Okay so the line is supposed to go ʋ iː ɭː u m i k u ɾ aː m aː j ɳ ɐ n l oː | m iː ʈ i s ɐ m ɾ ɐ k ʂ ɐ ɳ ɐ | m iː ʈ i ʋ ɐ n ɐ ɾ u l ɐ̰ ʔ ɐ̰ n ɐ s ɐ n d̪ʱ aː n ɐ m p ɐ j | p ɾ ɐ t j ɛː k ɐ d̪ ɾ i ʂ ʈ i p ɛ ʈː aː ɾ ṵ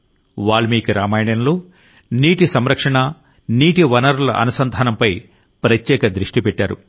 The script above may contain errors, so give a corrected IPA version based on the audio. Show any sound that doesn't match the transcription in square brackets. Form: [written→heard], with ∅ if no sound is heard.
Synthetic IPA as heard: ʋ [iː→aː] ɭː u m [i→iː] k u ɾ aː m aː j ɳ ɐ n l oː | [m→n] iː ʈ i s ɐ m ɾ ɐ k ʂ ɐ ɳ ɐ | [m→n] iː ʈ i ʋ ɐ n ɐ ɾ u l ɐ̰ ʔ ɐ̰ n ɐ s ɐ n d̪ʱ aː n ɐ m p ɐ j | p ɾ ɐ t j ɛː k ɐ d̪ ɾ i ʂ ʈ i p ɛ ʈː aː ɾ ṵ